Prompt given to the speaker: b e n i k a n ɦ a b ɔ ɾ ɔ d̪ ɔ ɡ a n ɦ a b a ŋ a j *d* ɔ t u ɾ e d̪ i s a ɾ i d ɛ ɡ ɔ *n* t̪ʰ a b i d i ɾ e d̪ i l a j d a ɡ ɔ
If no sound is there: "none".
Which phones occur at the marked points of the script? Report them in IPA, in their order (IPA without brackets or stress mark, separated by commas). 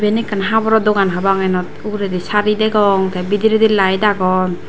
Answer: n, ŋ